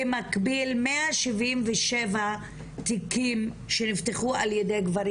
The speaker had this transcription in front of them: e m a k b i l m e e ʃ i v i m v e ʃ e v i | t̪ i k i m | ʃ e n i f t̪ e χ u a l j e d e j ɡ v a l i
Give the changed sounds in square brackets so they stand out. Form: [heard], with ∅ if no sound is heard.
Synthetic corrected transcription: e m a k b i l m e [a] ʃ i v i m v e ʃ e v [a] | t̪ i k i m | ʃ e n i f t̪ e χ u a l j e d e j ɡ v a [ɾ] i